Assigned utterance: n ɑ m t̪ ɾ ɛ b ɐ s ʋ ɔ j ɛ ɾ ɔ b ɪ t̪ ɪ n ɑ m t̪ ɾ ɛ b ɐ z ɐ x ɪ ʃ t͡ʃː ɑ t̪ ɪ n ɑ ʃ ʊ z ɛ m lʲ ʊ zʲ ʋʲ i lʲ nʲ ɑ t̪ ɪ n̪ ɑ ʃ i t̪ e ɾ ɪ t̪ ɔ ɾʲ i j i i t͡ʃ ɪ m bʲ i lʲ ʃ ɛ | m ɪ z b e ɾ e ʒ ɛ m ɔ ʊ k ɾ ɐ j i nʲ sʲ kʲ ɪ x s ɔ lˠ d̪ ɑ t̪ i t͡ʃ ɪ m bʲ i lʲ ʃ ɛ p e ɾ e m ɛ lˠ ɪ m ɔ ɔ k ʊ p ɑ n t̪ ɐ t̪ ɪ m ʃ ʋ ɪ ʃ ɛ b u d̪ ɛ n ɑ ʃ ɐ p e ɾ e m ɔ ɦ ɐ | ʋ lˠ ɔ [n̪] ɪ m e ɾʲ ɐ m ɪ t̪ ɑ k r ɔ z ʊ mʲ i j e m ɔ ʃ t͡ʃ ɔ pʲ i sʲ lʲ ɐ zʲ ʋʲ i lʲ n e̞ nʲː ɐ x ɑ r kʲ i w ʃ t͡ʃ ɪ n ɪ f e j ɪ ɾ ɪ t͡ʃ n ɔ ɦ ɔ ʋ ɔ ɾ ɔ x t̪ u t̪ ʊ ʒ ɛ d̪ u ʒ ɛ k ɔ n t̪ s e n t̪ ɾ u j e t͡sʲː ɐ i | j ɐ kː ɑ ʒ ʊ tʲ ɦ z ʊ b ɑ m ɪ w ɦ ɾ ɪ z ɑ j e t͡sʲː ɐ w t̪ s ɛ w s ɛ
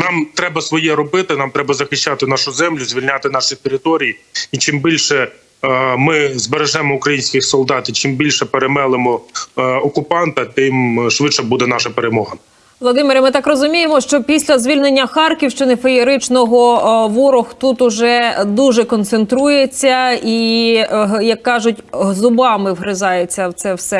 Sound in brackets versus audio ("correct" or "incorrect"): incorrect